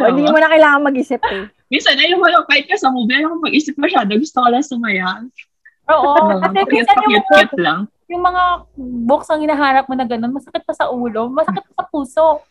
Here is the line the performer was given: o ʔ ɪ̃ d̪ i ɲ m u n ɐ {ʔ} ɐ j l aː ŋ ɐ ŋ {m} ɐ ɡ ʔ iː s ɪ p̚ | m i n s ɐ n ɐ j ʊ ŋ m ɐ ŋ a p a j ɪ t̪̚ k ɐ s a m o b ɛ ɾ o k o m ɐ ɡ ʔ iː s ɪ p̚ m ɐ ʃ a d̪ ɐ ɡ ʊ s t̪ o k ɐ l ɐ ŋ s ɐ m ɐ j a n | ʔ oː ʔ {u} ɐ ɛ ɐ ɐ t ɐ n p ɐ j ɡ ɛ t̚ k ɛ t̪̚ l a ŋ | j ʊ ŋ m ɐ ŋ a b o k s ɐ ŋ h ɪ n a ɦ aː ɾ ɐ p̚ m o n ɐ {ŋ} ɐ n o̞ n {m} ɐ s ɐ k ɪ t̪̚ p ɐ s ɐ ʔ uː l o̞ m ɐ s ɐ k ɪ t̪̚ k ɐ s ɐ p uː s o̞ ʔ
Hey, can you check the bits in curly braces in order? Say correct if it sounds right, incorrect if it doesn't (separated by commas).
incorrect, correct, incorrect, incorrect, correct